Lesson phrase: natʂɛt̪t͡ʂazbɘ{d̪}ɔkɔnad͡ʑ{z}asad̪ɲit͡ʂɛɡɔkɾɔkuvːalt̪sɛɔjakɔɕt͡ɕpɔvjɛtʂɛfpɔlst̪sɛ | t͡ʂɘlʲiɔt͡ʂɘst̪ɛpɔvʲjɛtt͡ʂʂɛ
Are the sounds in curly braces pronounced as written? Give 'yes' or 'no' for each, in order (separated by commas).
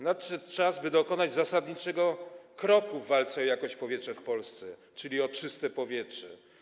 yes, yes